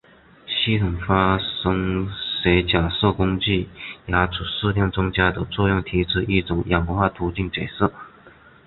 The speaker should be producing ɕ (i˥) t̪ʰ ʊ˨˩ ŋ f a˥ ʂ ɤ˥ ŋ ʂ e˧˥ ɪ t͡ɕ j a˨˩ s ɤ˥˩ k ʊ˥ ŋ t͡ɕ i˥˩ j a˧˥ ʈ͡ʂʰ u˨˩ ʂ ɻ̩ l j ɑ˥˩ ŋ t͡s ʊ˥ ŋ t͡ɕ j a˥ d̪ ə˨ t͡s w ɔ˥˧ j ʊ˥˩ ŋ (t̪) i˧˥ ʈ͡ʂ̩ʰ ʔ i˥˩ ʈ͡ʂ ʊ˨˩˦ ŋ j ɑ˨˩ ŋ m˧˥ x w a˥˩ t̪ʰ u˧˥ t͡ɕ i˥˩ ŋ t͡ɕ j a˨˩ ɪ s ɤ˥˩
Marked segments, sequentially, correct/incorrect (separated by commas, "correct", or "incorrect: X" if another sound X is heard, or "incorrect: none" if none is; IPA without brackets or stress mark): correct, incorrect: t̪ʰ